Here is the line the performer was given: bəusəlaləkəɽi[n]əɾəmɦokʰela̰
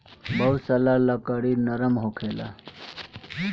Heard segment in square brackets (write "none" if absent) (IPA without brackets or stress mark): n